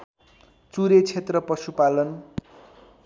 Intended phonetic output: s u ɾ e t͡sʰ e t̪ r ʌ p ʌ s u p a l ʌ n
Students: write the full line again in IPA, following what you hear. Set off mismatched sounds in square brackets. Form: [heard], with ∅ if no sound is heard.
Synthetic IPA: [t͡s] u ɾ e t͡sʰ e t̪ r ʌ p ʌ s u p a l ʌ n

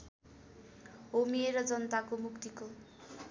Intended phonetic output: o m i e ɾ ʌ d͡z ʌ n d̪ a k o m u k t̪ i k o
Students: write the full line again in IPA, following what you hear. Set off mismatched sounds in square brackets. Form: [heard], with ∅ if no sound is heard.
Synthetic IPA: o m i e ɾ ʌ d͡z ʌ n [t̪] a k o m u k t̪ i k o

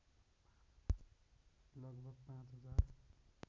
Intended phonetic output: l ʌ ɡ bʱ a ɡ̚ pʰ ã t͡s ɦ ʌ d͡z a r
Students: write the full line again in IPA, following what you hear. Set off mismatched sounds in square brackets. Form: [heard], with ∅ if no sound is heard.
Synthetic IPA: l ʌ ɡ bʱ [ʌ] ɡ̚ [p] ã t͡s ɦ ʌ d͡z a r

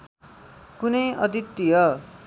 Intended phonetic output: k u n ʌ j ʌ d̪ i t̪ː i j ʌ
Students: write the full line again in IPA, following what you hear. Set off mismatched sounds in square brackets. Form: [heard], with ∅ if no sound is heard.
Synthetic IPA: k u n ʌ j ʌ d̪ i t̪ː i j ʌ

